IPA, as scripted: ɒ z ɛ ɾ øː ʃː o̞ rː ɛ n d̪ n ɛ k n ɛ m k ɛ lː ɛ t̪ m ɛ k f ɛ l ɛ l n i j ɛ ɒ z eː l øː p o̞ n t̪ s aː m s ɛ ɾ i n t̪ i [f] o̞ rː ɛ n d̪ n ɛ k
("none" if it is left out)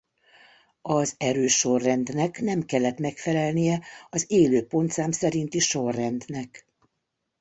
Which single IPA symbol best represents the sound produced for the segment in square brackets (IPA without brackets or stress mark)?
ʃ